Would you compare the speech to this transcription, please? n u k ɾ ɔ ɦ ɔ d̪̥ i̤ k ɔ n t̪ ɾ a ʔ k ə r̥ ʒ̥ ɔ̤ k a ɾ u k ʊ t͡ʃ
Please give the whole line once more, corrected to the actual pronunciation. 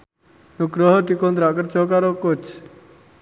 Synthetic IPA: n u ɡ ɾ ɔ ɦ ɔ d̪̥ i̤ k ɔ n t̪ ɾ a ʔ k ə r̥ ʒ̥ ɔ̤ k a ɾ o k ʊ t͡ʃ